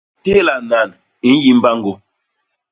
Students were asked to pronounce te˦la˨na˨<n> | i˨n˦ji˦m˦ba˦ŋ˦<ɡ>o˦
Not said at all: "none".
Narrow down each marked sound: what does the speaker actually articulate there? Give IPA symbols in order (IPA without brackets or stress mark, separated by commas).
n, ɡ